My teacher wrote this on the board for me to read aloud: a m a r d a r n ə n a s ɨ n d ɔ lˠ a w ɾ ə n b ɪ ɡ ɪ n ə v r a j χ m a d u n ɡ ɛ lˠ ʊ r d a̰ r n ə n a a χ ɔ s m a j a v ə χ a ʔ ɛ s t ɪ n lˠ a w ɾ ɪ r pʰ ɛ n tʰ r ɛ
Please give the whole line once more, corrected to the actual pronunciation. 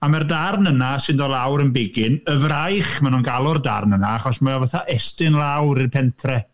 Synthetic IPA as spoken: a m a r d a r n ə n a s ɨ n d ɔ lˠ a w ɾ ə n b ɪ ɡ ɪ n ə v r a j χ m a n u n ɡ a lˠ ʊ r d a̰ r n ə n a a χ ɔ s m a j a v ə θ a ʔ ɛ s t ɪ n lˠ a w ɾ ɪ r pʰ ɛ n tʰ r ɛ